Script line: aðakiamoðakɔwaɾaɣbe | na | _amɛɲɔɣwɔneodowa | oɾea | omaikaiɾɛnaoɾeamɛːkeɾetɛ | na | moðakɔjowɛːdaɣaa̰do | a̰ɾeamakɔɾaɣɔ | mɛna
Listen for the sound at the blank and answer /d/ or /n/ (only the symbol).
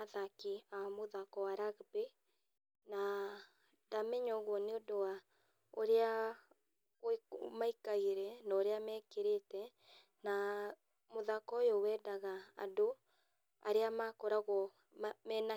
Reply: d